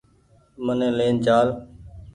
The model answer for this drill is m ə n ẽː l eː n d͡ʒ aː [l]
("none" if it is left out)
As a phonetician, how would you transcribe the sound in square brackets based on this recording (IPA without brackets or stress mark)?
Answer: l